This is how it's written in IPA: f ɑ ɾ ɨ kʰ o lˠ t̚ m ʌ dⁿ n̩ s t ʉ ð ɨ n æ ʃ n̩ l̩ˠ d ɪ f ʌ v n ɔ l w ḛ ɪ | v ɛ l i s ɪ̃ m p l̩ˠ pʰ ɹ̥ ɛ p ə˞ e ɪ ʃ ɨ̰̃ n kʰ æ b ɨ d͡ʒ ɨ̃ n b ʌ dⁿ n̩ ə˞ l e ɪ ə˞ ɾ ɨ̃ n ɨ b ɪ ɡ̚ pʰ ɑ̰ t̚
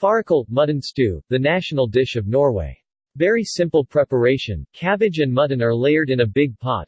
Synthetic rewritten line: f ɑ ɹ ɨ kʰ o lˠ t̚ m ʌ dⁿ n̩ s t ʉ ð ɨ n æ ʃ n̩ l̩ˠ d ɪ ʃ ʌ v n ɔ ɹ w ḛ ɪ | v ɛ ɹ i s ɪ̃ m p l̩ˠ pʰ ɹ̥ ɛ p ə˞ e ɪ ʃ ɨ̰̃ n kʰ æ b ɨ d͡ʒ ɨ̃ n m ʌ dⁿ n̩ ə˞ l e ɪ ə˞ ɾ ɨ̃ n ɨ b ɪ ɡ̚ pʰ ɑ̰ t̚